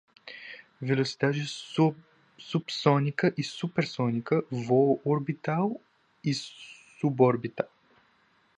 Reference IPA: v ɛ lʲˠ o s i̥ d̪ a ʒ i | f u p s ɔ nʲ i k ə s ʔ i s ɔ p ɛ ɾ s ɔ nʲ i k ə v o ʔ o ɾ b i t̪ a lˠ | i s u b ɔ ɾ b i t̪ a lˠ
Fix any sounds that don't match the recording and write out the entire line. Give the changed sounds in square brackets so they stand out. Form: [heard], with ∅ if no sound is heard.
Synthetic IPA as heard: v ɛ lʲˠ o s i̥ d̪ a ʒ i | [s] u p s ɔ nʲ i k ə [∅] ʔ i s [u] p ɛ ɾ s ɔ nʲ i k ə v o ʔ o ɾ b i t̪ a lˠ | i s u b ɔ ɾ b i t̪ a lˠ